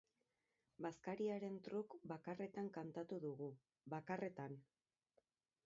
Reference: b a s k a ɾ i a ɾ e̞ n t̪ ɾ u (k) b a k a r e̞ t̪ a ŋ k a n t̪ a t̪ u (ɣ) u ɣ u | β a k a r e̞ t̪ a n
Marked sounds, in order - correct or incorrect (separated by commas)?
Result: correct, incorrect